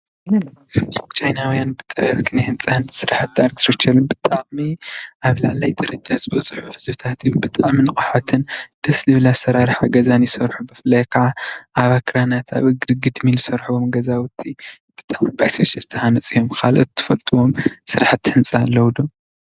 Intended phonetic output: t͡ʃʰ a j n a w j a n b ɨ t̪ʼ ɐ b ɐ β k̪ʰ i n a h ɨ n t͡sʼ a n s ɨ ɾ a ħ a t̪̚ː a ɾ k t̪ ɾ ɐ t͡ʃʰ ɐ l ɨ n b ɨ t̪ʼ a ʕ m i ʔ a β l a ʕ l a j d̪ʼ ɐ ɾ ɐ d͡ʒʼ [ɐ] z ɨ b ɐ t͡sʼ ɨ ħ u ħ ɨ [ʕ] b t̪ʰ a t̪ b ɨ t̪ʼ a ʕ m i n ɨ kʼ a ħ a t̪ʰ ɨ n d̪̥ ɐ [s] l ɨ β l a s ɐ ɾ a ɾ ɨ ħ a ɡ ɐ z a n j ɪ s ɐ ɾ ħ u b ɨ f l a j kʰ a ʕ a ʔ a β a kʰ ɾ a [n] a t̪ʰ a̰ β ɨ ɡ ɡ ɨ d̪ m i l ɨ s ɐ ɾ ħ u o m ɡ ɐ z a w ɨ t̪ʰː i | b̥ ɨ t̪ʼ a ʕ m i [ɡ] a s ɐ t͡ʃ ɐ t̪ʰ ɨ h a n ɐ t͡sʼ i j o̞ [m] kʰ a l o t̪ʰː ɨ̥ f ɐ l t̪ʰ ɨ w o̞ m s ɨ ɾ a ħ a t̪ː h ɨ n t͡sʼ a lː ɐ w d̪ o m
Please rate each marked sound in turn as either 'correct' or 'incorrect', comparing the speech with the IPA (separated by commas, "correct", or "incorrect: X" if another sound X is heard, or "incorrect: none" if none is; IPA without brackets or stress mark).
incorrect: a, incorrect: z, correct, correct, incorrect: b, correct